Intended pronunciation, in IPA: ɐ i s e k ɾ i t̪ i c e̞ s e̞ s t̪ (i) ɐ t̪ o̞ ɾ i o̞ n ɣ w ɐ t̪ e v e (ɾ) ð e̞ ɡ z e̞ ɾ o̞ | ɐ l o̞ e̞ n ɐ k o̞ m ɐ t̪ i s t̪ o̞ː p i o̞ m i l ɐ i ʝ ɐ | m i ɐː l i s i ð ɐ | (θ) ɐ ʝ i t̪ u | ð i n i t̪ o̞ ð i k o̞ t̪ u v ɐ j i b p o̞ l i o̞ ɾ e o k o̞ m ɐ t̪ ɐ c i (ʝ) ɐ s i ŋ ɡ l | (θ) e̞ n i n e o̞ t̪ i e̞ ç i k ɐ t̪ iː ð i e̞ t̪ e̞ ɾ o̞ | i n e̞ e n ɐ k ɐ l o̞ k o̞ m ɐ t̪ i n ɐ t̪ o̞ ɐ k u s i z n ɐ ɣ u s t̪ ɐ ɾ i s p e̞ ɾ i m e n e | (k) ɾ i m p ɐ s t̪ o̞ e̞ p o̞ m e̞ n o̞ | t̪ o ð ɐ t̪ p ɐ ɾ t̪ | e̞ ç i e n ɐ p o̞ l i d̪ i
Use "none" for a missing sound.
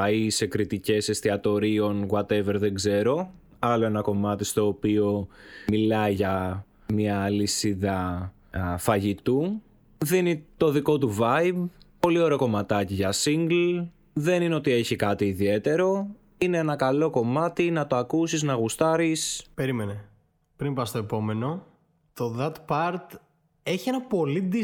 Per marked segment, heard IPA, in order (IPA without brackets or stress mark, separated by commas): i, ɾ, f, ʝ, ð, p